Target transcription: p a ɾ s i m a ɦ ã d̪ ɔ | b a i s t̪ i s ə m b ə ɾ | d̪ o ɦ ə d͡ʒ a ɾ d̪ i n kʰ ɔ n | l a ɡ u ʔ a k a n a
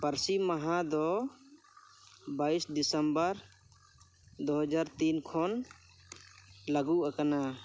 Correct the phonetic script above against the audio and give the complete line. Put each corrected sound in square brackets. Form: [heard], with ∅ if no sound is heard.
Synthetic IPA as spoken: p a ɾ s i m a ɦ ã d̪ ɔ | b a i s [d̪] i s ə m b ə ɾ | d̪ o ɦ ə d͡ʒ a ɾ [t̪] i n kʰ ɔ n | l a ɡ u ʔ a k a n a